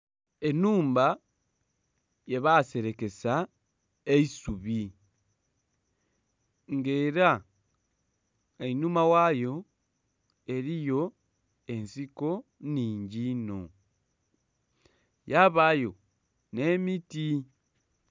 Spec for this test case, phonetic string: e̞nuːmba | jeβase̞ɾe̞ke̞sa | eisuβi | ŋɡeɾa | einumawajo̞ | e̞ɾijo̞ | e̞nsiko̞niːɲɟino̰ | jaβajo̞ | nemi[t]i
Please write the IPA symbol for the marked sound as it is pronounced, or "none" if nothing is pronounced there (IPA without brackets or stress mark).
t